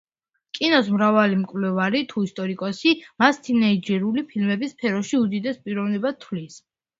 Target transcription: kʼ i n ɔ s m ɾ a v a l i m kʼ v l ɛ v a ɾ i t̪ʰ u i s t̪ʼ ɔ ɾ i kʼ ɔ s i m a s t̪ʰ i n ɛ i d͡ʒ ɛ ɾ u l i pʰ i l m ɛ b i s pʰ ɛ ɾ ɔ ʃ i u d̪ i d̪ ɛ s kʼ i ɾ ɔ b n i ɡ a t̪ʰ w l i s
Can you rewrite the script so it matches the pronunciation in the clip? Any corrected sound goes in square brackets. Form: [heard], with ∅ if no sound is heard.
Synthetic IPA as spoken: kʼ i n ɔ s m ɾ a v a l i m kʼ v l ɛ v a ɾ i t̪ʰ u i s t̪ʼ ɔ ɾ i kʼ ɔ s i m a s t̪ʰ i n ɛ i d͡ʒ ɛ ɾ u l i pʰ i l m ɛ b i s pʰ ɛ ɾ ɔ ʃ i u d̪ i d̪ ɛ s [pʼ] i ɾ ɔ [v] n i [b] a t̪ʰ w l i s